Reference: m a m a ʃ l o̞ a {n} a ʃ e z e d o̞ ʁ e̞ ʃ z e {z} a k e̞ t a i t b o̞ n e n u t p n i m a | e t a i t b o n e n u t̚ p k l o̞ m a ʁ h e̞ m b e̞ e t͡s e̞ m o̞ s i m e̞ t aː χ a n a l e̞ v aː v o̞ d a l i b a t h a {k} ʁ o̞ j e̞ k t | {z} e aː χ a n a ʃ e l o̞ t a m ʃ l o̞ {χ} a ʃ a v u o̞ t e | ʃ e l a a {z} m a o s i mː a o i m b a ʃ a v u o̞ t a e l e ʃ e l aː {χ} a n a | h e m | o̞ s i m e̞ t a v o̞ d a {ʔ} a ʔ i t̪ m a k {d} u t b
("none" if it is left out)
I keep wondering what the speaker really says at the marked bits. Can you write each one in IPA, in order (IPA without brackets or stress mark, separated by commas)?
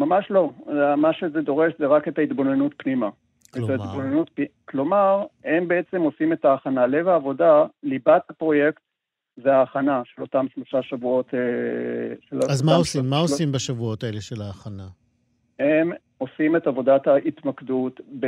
m, ʁ, p, z, ʃ, z, χ, t, d